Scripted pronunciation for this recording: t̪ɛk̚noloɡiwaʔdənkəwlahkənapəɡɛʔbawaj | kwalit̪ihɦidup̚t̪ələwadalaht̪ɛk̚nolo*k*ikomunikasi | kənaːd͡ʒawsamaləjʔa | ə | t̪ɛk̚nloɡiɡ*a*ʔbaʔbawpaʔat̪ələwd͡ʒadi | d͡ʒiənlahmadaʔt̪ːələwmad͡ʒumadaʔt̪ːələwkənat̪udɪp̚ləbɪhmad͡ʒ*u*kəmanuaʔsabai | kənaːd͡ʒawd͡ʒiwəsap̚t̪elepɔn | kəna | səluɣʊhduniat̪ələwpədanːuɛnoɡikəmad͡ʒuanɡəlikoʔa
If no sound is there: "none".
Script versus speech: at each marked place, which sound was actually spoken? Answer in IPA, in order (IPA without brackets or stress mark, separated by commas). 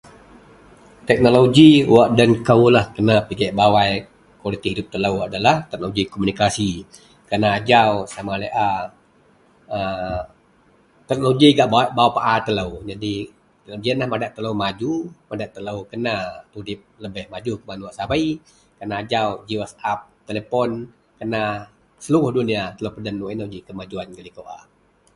ɡ, a, u